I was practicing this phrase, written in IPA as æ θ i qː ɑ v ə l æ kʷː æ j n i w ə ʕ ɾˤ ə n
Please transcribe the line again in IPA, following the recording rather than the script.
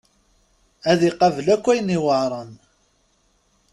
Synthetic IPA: æ ð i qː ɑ v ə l æ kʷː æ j n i w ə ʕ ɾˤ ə n